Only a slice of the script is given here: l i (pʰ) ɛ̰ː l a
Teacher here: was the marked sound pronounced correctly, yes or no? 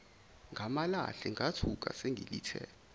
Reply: no